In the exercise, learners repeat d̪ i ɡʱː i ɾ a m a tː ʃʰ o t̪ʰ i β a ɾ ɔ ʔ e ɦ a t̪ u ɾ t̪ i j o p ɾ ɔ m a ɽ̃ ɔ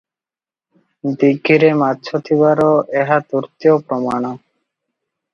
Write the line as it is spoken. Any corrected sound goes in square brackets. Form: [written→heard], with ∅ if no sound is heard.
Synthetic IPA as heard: d̪ i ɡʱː i ɾ [a→e] m a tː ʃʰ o t̪ʰ i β a ɾ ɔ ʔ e ɦ a t̪ u ɾ t̪ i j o p ɾ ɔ m a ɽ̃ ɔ